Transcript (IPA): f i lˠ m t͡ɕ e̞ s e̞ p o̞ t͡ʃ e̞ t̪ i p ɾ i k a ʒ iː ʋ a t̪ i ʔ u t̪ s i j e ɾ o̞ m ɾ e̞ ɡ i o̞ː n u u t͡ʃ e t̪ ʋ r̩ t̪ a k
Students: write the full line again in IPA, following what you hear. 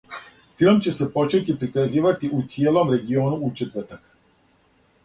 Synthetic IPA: f i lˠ m t͡ɕ e̞ s e̞ p o̞ t͡ʃ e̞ t̪ i p ɾ i k a z iː ʋ a t̪ i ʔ u t̪ s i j e l o̞ m ɾ e̞ ɡ i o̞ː n u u t͡ʃ e t̪ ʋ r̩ t̪ a k